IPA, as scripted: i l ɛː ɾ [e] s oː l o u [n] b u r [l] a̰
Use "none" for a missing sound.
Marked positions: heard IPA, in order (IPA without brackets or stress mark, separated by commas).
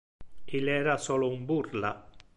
a, m, l